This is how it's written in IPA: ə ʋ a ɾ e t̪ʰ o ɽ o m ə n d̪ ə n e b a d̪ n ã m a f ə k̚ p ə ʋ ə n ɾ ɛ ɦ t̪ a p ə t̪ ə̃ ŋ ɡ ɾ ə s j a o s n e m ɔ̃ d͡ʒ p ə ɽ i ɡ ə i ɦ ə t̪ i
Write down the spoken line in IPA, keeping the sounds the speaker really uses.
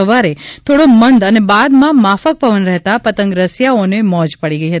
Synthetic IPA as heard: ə ʋ a ɾ e t̪ʰ o ɽ o m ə n d̪ ə n e b a d̪ m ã m a f ə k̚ p ə ʋ ə n ɾ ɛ ɦ t̪ a p ə t̪ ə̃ ŋ ɡ ɾ ə s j a o n e m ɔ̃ d͡ʒ p ə ɽ i ɡ ə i ɦ ə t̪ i